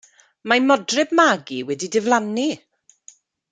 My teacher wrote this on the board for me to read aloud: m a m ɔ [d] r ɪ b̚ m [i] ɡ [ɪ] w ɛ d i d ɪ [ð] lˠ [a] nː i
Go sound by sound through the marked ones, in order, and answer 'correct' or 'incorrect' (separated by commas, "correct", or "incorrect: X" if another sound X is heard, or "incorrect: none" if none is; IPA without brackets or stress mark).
correct, incorrect: a, incorrect: i, incorrect: v, correct